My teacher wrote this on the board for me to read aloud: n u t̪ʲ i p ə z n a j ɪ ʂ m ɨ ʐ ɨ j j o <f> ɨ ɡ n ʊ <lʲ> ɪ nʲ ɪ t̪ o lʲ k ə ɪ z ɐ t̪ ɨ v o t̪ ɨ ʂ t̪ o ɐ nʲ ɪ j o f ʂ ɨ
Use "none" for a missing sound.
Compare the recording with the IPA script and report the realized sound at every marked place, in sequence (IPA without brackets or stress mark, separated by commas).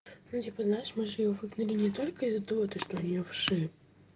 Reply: v, lʲ